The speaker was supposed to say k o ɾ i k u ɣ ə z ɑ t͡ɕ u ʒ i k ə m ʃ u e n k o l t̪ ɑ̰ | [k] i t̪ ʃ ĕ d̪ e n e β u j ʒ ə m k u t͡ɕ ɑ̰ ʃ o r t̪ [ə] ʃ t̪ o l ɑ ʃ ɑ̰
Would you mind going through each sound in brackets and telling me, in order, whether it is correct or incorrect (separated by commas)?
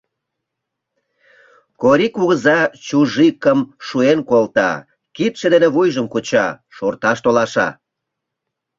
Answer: correct, incorrect